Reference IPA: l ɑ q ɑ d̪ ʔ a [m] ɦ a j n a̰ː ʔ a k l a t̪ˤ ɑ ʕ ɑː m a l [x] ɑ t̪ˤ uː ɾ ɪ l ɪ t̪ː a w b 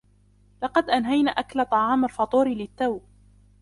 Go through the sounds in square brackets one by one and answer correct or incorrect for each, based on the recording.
incorrect, incorrect

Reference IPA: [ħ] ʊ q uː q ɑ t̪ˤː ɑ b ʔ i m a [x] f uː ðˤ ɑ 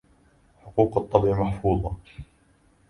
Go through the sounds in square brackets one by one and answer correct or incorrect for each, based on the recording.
correct, incorrect

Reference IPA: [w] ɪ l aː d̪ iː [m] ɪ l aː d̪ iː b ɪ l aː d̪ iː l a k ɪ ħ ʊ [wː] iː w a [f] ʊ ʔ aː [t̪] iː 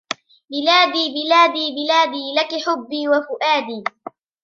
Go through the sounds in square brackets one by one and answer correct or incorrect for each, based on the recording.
incorrect, incorrect, incorrect, correct, incorrect

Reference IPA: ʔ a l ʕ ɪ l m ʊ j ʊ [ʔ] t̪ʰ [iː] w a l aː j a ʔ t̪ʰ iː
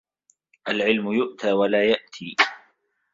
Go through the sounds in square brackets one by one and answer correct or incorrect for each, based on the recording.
correct, incorrect

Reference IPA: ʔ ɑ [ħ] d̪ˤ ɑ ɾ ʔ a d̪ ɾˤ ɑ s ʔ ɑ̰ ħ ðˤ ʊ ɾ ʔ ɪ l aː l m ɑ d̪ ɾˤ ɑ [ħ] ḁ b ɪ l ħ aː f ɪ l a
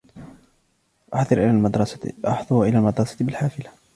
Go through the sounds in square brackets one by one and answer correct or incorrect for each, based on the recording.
correct, incorrect

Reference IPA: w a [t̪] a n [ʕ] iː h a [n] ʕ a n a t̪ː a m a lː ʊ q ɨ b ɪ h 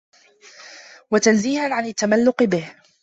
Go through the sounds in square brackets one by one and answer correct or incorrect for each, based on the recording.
correct, incorrect, correct

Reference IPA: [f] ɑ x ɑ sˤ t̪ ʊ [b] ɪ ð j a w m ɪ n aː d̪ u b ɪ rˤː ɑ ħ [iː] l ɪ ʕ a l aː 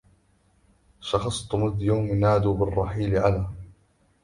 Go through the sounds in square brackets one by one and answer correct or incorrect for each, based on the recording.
incorrect, incorrect, correct

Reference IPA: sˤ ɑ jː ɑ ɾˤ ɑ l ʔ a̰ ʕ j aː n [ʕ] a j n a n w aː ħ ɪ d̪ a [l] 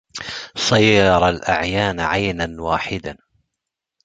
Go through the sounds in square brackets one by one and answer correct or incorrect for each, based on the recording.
correct, incorrect

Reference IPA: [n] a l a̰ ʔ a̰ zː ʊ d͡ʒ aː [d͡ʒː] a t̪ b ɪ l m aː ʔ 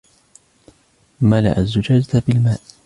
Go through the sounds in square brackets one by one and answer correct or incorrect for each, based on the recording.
incorrect, incorrect

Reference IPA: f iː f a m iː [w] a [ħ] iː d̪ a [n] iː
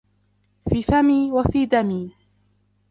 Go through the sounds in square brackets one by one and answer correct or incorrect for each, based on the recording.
correct, incorrect, incorrect

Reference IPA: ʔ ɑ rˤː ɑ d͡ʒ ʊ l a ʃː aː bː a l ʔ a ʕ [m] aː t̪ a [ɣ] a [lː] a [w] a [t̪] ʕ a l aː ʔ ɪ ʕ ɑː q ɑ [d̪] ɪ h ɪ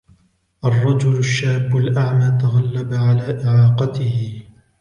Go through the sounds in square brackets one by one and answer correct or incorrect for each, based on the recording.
correct, correct, correct, incorrect, incorrect, incorrect

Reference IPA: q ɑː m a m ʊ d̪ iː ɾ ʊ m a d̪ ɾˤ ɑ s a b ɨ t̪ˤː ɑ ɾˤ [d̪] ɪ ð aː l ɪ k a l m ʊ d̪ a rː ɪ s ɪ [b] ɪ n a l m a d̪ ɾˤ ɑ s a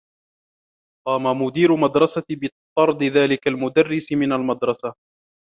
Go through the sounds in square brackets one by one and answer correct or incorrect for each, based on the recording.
correct, incorrect

